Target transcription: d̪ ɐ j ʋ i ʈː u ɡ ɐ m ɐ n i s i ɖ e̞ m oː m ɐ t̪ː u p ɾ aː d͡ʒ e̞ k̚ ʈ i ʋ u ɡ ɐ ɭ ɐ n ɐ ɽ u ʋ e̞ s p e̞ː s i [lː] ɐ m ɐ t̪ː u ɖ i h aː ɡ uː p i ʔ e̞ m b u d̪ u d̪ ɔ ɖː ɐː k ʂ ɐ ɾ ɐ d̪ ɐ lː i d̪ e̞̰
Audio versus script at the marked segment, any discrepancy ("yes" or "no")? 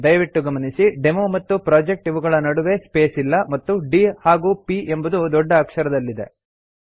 no